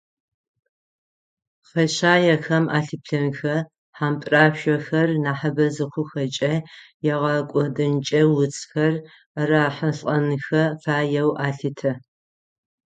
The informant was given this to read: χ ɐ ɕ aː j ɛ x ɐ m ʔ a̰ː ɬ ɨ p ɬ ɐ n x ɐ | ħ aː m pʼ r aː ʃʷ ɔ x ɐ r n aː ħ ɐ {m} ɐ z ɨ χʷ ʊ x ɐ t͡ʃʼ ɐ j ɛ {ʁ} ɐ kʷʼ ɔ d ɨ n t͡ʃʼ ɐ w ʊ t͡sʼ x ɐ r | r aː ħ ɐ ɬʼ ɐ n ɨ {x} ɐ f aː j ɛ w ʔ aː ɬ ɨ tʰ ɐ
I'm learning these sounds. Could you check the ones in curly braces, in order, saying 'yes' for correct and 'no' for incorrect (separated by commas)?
no, yes, yes